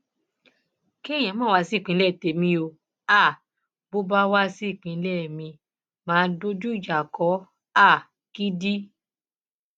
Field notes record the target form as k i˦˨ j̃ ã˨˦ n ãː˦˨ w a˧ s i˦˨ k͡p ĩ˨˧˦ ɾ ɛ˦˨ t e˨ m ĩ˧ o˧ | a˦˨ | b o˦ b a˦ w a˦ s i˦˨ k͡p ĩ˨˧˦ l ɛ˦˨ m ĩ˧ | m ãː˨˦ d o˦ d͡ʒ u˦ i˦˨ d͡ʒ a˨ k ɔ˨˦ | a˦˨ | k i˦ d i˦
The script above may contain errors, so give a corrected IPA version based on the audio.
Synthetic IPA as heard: k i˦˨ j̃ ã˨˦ m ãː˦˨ w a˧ s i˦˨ k͡p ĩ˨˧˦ l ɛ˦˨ t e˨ m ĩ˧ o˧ | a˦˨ | b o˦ b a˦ w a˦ s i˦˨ k͡p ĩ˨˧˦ l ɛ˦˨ m ĩ˧ | m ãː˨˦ d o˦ d͡ʒ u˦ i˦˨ d͡ʒ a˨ k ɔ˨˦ | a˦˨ | k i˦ d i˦